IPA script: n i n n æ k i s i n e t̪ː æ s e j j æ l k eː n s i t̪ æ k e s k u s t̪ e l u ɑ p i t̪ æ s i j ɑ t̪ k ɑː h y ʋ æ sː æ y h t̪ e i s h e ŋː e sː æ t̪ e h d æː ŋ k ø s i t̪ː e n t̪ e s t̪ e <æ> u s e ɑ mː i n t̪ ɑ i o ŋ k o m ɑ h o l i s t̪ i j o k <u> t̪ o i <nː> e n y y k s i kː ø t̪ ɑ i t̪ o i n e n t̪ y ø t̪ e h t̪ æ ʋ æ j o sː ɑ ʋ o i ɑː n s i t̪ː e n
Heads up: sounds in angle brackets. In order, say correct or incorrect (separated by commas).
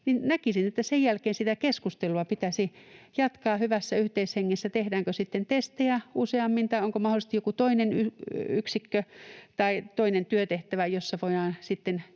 correct, correct, incorrect